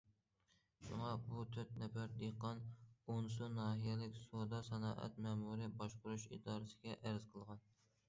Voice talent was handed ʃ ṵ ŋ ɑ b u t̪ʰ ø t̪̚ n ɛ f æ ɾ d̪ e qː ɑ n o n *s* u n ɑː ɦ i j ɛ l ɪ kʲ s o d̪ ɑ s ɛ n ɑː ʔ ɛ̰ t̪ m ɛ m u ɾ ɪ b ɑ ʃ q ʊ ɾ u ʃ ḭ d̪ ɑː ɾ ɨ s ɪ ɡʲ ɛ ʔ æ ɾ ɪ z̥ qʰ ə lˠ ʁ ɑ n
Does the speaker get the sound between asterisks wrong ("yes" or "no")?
no